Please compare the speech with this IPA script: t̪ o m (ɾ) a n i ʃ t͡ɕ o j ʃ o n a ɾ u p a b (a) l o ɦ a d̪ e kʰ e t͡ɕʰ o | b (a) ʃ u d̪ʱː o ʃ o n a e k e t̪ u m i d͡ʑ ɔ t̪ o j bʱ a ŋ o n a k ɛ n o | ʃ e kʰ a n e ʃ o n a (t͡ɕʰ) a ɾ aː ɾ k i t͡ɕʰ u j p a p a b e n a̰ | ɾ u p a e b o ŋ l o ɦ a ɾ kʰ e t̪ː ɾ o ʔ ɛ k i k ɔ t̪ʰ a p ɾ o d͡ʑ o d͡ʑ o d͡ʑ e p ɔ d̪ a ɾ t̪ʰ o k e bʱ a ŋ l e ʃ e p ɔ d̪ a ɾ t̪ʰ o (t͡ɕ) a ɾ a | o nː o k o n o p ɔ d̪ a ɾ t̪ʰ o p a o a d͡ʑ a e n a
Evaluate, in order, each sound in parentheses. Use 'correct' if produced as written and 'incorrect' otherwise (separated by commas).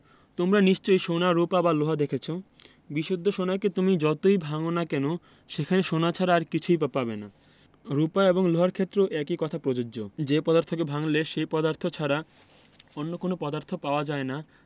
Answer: correct, correct, incorrect, correct, incorrect